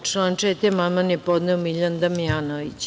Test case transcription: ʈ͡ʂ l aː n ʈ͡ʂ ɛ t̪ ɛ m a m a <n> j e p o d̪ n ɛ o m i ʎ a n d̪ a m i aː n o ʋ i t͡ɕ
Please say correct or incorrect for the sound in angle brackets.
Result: correct